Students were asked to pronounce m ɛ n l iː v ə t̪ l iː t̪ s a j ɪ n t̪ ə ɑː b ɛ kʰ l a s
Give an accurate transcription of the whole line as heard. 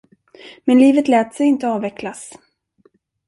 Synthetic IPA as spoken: m ɛ n l iː v ə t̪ l ɛː t̪ s ɛ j ɪ n t̪ ə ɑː v ɛ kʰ l a s